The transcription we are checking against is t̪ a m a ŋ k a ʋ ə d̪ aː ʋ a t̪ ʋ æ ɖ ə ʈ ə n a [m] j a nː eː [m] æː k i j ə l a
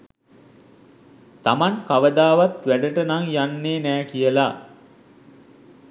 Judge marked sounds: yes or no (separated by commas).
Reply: no, no